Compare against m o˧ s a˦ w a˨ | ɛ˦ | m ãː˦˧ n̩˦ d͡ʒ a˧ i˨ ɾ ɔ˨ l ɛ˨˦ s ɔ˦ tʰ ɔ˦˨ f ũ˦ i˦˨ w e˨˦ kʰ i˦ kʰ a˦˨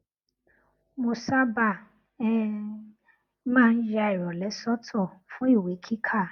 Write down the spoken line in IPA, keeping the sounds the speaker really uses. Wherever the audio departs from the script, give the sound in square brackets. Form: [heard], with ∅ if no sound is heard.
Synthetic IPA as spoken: m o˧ s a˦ [b] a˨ | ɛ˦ | m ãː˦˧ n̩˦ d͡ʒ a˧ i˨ ɾ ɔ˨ l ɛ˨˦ s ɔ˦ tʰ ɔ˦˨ f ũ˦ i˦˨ w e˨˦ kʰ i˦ kʰ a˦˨